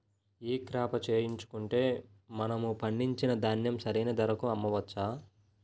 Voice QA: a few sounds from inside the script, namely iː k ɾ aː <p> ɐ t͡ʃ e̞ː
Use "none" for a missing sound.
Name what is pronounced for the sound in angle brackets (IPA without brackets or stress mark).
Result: p